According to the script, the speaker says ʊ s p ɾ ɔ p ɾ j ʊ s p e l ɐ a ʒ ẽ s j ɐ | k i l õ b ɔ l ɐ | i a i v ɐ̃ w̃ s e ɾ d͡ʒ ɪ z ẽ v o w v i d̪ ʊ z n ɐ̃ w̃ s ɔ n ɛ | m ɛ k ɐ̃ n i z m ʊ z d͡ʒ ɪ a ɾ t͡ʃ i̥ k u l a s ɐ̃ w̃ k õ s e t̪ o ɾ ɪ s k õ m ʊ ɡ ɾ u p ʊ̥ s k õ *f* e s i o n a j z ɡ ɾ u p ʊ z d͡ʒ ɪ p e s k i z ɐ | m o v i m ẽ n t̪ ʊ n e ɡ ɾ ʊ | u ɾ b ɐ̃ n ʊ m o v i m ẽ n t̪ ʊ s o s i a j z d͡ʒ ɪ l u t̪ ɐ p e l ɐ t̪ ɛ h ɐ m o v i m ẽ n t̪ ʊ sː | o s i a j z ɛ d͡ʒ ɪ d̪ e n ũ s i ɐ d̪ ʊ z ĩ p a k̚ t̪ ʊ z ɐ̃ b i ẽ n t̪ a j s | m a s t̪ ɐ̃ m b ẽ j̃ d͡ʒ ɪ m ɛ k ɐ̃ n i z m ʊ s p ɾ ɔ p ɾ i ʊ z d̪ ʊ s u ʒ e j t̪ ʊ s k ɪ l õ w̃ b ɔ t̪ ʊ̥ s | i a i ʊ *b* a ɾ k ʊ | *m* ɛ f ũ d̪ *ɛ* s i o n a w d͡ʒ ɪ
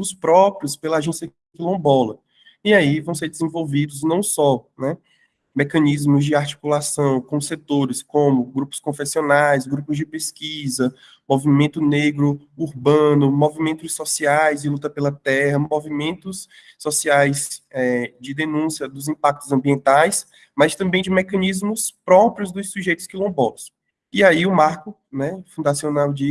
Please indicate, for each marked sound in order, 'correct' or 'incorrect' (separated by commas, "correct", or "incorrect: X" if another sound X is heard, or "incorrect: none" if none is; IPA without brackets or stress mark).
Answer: correct, incorrect: m, incorrect: n, incorrect: a